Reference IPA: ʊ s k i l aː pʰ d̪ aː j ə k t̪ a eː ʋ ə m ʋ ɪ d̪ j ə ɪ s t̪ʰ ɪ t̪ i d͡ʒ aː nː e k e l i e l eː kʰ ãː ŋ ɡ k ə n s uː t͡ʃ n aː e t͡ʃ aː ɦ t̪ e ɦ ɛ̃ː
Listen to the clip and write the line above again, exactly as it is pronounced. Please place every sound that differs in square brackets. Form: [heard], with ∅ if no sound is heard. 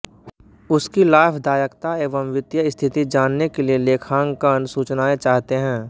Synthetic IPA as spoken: ʊ s k i l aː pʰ d̪ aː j ə k t̪ a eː ʋ ə m ʋ ɪ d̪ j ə ɪ s t̪ʰ ɪ t̪ i d͡ʒ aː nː e k e l i e l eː kʰ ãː ŋ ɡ k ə n s uː t͡ʃ n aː e t͡ʃ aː ɦ t̪ e ɦ ɛ̃ː